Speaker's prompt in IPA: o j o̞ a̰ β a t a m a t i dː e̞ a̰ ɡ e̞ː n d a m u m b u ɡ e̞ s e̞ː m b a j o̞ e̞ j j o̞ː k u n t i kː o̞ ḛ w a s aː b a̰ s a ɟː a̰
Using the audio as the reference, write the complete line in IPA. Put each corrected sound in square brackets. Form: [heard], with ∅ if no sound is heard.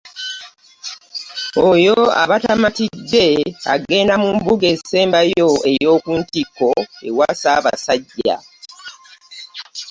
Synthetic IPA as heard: o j o̞ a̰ β a t a m a t i dː e̞ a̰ ɡ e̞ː n d a m u m b u ɡ e̞ s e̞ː m b a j o̞ e̞ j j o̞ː k u n t i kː o̞ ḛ w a s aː [β] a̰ s a ɟː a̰